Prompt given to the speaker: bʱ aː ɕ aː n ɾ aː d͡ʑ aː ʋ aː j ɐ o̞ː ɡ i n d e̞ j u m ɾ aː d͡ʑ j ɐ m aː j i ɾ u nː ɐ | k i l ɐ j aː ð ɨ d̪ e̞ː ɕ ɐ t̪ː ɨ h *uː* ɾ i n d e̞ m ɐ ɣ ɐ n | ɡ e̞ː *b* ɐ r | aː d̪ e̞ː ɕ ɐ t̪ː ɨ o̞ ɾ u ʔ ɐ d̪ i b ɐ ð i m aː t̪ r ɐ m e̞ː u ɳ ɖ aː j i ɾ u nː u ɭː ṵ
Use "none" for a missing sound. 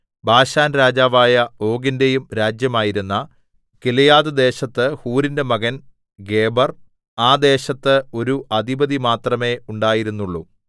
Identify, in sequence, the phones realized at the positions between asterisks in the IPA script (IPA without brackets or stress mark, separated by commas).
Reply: uː, b